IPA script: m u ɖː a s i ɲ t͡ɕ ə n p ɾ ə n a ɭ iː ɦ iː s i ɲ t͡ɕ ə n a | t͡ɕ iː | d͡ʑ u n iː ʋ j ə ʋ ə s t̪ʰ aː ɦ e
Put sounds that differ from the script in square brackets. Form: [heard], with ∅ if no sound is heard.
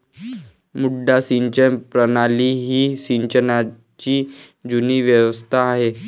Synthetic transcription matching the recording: m u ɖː a s i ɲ t͡ɕ ə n p ɾ ə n a [l] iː ɦ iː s i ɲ t͡ɕ ə n a | t͡ɕ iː | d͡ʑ u n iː ʋ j ə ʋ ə s t̪ʰ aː ɦ e